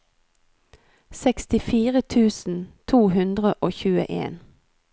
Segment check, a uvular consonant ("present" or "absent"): present